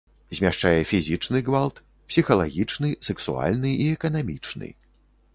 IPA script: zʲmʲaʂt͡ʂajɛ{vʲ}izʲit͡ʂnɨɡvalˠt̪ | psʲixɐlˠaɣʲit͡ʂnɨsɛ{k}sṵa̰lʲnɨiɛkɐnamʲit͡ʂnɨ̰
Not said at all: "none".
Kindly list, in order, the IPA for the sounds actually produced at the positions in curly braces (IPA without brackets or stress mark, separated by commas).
fʲ, k